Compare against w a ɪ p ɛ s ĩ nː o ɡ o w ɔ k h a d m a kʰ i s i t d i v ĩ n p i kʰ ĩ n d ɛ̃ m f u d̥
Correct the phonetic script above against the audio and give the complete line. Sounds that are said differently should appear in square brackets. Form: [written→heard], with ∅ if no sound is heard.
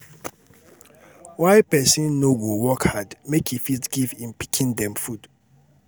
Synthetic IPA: w a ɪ p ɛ s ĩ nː o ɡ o w ɔ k h a d m [a→e] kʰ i [s→f] i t [d→ɡ] i v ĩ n p i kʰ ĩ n d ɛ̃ m f u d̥